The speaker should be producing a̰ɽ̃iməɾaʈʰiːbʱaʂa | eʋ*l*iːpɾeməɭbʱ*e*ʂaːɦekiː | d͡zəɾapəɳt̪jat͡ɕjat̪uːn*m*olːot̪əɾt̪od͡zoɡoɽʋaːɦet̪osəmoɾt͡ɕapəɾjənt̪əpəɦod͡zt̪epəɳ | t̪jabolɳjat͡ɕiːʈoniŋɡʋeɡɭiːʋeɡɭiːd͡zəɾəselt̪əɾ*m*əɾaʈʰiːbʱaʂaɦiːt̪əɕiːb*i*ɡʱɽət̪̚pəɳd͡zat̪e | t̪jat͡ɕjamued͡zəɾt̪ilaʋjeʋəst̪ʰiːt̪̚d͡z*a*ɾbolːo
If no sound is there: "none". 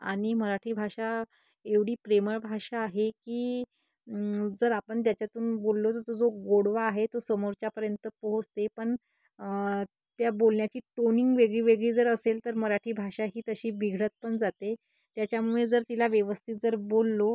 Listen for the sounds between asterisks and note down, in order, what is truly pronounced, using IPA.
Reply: ɽ, a, b, m, i, ə

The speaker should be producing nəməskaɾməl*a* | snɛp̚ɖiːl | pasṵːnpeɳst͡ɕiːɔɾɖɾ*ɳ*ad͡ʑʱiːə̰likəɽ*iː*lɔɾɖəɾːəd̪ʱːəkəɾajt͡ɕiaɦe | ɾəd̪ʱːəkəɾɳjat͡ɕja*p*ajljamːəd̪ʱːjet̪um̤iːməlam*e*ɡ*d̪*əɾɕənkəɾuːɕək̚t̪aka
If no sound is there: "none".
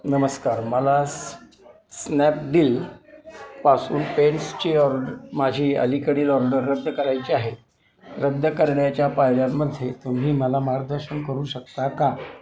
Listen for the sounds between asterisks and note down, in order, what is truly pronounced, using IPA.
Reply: a, m, iː, p, a, d̪

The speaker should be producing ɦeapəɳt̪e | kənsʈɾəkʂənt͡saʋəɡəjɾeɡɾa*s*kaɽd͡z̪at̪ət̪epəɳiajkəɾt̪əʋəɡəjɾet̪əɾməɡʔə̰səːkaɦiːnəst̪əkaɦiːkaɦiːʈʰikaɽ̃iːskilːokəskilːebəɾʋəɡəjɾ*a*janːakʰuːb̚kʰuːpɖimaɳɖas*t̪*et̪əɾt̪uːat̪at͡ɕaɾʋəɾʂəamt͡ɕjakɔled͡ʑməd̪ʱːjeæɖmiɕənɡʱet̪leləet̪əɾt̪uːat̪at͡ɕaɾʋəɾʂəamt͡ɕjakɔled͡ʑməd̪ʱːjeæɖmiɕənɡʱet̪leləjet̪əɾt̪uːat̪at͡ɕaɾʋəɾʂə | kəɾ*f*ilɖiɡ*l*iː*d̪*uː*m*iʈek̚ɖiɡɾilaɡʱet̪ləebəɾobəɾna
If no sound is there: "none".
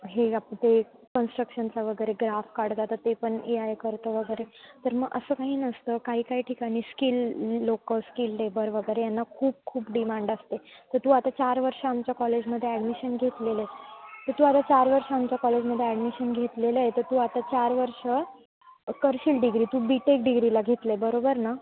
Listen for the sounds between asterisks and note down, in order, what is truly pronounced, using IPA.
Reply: f, e, t̪, ɕ, ɾ, t̪, b

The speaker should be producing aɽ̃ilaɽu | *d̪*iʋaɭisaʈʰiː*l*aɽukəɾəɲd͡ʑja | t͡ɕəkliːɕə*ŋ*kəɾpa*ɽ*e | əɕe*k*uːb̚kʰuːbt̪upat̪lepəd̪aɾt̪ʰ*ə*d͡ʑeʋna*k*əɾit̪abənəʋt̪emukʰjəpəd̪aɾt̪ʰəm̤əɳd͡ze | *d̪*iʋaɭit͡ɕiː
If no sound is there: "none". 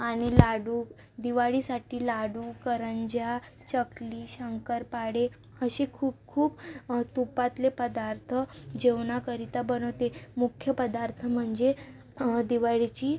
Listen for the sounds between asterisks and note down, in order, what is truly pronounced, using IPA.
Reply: d̪, l, ŋ, ɽ, kʰ, ə, k, d̪

